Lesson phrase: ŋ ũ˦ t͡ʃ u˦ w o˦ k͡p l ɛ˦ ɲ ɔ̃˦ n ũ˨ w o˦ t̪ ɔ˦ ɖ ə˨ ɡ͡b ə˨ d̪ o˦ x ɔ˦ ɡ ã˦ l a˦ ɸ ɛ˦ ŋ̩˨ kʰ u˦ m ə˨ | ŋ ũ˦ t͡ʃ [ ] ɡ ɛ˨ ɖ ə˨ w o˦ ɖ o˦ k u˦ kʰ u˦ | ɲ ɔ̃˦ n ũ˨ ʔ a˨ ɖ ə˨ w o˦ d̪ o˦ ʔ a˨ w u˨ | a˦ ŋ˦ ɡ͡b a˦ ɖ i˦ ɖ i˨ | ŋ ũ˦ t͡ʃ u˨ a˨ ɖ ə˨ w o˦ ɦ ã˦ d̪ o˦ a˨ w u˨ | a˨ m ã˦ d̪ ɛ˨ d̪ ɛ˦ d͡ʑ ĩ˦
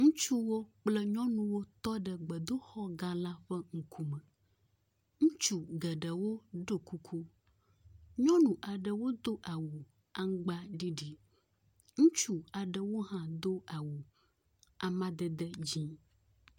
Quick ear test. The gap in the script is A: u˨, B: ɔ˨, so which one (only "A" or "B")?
A